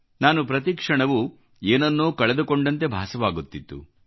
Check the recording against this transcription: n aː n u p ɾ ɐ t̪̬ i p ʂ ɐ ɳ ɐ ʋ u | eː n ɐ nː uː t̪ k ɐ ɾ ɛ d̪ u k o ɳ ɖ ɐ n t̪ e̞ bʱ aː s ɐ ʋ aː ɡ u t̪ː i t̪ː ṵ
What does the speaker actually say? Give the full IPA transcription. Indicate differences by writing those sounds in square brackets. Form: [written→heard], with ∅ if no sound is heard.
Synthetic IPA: n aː n u p ɾ ɐ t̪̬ i [p→k] ʂ ɐ ɳ ɐ ʋ u | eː n ɐ nː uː [t̪→∅] k ɐ [ɾ→ɭ] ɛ d̪ u k o ɳ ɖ ɐ n t̪ e̞ bʱ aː s ɐ ʋ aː ɡ u t̪ː i t̪ː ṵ

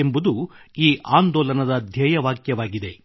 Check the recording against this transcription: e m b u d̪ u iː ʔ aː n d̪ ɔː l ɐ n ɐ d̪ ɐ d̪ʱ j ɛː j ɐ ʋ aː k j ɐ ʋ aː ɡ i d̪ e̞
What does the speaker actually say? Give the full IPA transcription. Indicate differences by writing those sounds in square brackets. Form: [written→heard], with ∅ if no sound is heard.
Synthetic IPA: e m b u d̪ u iː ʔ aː n d̪ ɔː l ɐ n ɐ d̪ ɐ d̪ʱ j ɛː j ɐ ʋ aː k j ɐ ʋ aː ɡ i d̪ e̞

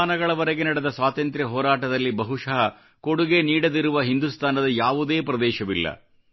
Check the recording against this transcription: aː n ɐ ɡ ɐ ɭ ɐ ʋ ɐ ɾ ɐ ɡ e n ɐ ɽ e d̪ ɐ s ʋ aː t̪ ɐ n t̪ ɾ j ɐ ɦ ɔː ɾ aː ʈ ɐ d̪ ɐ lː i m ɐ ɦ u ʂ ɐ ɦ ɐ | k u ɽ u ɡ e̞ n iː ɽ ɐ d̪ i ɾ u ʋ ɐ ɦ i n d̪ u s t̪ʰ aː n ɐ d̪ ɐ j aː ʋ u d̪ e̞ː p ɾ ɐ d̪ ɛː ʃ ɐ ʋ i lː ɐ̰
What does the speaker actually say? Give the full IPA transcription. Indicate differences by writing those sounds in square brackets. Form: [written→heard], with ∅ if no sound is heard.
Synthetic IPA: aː n ɐ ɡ ɐ ɭ ɐ ʋ ɐ ɾ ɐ ɡ e n ɐ ɽ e d̪ ɐ s ʋ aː t̪ ɐ n t̪ ɾ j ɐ ɦ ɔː ɾ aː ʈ ɐ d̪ ɐ lː i [m→b] ɐ ɦ u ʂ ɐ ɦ ɐ | k [u→o] ɽ u ɡ e̞ n iː ɽ ɐ d̪ i ɾ u ʋ ɐ ɦ i n d̪ u s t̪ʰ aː n ɐ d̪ ɐ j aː ʋ u d̪ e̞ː p ɾ ɐ d̪ ɛː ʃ ɐ ʋ i lː ɐ̰

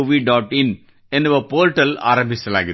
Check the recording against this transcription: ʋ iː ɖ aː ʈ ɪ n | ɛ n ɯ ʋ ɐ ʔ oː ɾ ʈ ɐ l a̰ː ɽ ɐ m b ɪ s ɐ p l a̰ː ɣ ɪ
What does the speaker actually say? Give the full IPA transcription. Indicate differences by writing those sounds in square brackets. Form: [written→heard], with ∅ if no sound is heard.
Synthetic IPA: ʋ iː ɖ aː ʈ ɪ n | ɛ n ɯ ʋ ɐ [ʔ→p] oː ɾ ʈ ɐ l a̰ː [ɽ→ɾ] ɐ m b ɪ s ɐ [p→∅] l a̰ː ɣ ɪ

